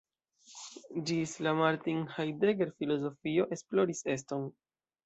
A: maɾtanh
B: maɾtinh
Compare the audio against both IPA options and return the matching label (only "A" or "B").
B